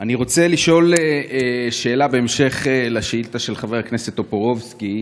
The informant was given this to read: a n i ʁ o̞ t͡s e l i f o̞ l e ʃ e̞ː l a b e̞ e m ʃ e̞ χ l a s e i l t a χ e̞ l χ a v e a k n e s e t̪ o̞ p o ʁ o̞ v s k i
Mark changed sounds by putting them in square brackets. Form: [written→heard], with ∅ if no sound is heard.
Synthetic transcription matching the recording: a n i ʁ o̞ t͡s e l i [f→ʃ] o̞ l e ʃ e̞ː l a b e̞ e m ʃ e̞ χ l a [s→ʃ] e i l t a [χ→ʃ] e̞ l χ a v e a k n e s e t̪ o̞ p o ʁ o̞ v s k i